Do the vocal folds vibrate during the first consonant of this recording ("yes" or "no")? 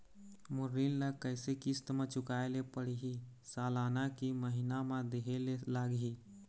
yes